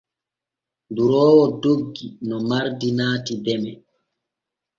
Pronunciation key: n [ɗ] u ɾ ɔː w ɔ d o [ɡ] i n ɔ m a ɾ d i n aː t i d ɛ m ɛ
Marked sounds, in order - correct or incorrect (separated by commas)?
incorrect, incorrect